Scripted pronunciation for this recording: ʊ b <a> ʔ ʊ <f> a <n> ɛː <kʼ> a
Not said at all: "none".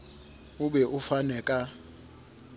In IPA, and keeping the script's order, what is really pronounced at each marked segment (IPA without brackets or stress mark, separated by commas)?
ɛ, f, n, kʼ